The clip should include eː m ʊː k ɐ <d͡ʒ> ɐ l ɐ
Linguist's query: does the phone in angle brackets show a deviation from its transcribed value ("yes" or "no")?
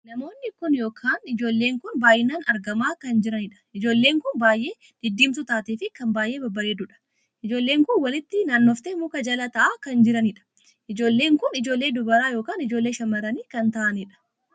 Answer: no